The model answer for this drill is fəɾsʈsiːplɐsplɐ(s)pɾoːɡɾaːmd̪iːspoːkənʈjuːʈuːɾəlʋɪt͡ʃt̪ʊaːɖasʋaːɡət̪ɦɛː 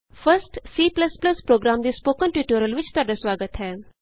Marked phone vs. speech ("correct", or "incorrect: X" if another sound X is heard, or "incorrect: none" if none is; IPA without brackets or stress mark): correct